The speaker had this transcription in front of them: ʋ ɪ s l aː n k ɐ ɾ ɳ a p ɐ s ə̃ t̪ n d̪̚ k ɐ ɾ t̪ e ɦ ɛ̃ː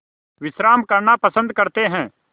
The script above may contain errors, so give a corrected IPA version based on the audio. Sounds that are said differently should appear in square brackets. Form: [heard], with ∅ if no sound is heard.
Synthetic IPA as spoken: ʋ ɪ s [ɾ] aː [m] k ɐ ɾ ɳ a p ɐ s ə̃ [∅] n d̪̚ k ɐ ɾ t̪ e ɦ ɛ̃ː